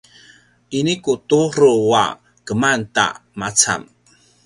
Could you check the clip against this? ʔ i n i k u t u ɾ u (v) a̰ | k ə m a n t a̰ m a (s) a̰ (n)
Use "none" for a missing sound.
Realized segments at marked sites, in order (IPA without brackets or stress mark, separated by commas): w, t͡s, m